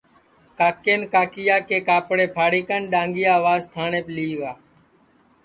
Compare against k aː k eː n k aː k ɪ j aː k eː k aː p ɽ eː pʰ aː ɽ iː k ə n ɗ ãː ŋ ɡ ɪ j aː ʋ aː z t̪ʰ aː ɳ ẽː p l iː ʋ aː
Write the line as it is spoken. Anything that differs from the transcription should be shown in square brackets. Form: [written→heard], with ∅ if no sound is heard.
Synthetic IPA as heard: k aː k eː n k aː k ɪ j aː k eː k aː p ɽ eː pʰ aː ɽ iː k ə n ɗ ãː ŋ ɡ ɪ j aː ʋ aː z t̪ʰ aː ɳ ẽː p l iː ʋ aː